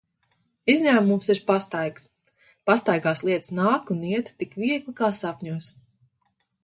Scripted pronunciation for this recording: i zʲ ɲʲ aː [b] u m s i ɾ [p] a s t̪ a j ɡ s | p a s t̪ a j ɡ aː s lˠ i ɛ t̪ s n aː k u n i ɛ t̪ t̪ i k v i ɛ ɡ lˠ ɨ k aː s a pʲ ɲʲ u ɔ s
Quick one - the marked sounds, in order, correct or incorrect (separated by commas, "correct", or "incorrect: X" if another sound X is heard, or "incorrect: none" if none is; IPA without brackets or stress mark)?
incorrect: m, correct